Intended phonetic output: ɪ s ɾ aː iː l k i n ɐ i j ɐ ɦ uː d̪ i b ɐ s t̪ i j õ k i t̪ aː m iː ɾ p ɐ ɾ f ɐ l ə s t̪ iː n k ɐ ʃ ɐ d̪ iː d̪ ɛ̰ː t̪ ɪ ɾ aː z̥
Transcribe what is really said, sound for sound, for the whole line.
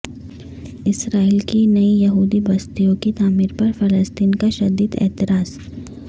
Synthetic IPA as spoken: ɪ s ɾ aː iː l k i n ɐ i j ɐ ɦ uː d̪ i b ɐ s t̪ i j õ k i t̪ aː m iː ɾ p ɐ ɾ f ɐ l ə s t̪ iː n k a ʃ ɐ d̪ iː d̪ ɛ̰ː t̪ ɪ ɾ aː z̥